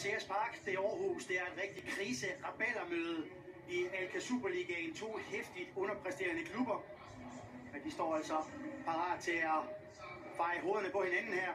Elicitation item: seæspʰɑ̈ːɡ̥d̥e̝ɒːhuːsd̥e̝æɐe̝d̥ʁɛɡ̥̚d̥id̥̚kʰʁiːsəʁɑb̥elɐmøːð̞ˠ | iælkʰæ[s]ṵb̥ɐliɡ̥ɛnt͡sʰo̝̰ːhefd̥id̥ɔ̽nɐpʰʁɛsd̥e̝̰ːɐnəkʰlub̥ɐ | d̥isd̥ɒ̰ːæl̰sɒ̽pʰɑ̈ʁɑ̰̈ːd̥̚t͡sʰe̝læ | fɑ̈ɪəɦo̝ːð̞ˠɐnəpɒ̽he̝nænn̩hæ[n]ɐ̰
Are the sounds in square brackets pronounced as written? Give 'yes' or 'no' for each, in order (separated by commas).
yes, no